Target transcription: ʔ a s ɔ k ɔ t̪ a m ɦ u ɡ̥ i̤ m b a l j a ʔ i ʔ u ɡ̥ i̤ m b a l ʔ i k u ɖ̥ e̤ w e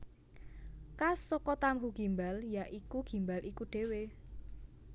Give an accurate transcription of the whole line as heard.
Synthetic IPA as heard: k a s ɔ k ɔ t̪ a m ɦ u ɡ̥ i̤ m b a l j a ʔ i k u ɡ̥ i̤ m b a l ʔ i k u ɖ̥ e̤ w e